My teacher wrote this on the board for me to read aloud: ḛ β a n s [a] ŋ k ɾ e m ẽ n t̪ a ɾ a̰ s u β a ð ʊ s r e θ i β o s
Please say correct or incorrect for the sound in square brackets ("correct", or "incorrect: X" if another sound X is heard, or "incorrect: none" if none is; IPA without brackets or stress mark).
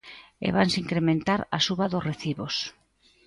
incorrect: i